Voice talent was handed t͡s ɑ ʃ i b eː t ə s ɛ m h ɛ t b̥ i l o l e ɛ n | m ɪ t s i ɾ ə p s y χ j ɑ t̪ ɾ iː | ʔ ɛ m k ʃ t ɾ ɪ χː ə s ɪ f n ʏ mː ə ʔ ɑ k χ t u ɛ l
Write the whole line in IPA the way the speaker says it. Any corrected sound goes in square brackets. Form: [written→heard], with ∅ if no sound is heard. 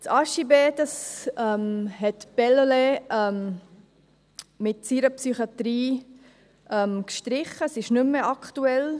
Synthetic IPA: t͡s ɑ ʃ i b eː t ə s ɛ m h ɛ t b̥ [i→ɛ] l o l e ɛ [n→m] | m ɪ t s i ɾ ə p s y χ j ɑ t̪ ɾ iː | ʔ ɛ m k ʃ t ɾ ɪ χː ə s ɪ [f→ʃ] n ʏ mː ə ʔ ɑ k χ t u ɛ l

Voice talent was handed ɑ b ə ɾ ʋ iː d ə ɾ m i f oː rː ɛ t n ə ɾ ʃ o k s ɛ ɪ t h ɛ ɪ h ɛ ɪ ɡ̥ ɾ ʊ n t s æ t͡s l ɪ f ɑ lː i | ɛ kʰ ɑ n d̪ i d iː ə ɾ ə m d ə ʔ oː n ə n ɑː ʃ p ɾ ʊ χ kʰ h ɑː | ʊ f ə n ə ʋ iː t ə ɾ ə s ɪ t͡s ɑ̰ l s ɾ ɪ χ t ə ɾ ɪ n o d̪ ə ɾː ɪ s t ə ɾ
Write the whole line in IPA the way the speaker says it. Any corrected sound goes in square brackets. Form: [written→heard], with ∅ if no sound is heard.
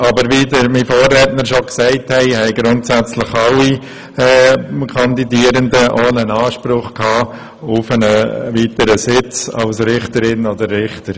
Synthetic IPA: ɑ b ə ɾ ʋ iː d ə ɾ m i f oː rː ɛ t n ə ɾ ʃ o k s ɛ ɪ t h ɛ ɪ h ɛ ɪ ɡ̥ ɾ ʊ n t s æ t͡s l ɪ [f→χ] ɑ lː i | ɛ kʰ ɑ n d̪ i d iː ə ɾ ə [m→n] d ə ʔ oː n ə n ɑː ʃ p ɾ ʊ χ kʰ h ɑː | ʊ f ə n ə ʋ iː t ə ɾ ə s ɪ t͡s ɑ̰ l s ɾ ɪ χ t ə ɾ ɪ n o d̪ ə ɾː ɪ [s→χ] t ə ɾ

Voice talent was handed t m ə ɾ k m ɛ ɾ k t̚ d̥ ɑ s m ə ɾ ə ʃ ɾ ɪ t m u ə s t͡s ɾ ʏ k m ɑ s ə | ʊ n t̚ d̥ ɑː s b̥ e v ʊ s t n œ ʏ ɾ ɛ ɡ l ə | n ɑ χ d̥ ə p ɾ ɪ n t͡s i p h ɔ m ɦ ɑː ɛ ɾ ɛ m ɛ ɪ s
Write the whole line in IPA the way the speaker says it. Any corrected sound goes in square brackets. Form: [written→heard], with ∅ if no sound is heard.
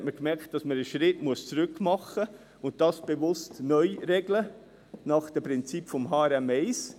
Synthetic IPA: t m ə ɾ k m ɛ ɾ k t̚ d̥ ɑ s m ə ɾ ə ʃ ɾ ɪ t m u ə s t͡s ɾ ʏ k m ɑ [s→χ] ə | ʊ n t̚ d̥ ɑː s b̥ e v ʊ s t n œ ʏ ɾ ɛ ɡ l ə | n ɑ χ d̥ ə p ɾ ɪ n t͡s i p [h→f] ɔ m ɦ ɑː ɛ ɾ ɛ m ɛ ɪ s

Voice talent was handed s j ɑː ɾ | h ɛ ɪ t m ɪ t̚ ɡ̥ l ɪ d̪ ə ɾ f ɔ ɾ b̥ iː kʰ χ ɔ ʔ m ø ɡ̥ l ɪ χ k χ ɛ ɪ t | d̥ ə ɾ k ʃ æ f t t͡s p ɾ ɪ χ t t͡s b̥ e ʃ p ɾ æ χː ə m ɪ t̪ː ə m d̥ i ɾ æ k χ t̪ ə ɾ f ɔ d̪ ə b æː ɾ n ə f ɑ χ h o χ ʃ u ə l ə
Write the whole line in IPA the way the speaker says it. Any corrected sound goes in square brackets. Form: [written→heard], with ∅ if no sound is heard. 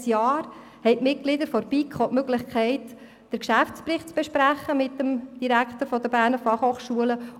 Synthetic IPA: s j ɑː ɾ | h ɛ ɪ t m ɪ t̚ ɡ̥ l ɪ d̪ ə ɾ f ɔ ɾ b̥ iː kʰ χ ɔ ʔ m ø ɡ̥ l ɪ χ k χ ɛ ɪ t | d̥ ə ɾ k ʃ æ f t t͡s p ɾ ɪ χ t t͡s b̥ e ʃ p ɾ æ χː ə m ɪ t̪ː ə m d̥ i ɾ æ k χ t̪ ə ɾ f ɔ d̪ ə b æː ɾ n ə f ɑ χ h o χ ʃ u ə l ə

